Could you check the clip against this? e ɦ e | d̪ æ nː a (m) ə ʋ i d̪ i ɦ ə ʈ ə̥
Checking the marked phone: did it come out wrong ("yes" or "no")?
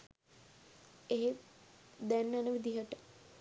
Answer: yes